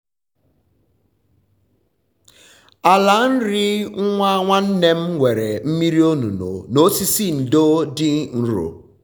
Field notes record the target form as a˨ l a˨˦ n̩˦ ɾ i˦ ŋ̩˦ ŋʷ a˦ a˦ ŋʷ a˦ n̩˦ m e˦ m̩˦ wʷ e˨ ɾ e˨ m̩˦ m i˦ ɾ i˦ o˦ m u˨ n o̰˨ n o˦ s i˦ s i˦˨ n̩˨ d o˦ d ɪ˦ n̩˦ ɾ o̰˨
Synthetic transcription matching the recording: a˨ l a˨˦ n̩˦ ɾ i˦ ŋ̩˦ ŋʷ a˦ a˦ ŋʷ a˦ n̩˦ n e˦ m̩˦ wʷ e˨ ɾ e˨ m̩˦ m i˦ ɾ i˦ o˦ n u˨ n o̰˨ n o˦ s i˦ s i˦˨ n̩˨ d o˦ d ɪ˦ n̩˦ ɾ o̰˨